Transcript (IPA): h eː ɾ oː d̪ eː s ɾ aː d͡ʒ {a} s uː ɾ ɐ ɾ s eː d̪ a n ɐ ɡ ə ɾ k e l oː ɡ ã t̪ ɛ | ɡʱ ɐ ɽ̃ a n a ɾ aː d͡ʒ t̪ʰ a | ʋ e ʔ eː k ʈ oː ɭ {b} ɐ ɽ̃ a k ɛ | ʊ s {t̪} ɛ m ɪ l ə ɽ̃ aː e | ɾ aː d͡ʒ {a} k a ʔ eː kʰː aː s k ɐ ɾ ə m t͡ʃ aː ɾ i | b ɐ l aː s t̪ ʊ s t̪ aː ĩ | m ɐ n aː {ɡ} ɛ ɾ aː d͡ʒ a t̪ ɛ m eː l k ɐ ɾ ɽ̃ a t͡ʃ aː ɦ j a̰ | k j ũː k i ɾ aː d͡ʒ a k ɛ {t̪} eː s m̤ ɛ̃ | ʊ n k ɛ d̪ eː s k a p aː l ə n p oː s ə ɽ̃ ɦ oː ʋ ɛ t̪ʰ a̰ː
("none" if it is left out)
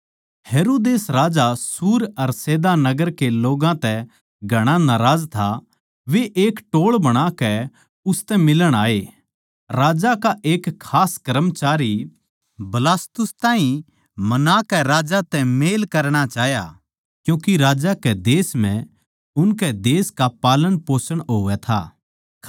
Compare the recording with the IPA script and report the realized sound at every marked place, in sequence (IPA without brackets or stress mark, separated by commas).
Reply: a, b, t̪, a, k, d̪